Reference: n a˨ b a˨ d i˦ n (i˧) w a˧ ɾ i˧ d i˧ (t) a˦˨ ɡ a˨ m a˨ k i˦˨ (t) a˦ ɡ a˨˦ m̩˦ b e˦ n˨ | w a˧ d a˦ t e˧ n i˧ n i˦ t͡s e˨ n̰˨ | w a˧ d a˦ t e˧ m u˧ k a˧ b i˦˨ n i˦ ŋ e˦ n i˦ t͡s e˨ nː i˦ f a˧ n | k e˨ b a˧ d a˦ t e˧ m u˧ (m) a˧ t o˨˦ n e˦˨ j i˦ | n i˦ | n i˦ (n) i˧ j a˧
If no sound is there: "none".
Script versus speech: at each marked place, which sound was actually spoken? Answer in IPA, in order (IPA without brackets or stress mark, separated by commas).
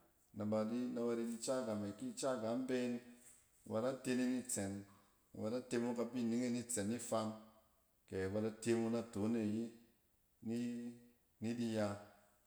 a˧, t͡ʃ, t͡ʃ, n, d